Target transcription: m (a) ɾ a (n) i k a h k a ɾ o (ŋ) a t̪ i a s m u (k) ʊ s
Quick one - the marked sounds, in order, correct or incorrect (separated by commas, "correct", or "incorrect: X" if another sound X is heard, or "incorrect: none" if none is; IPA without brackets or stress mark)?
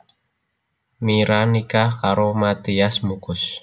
incorrect: i, correct, incorrect: m, correct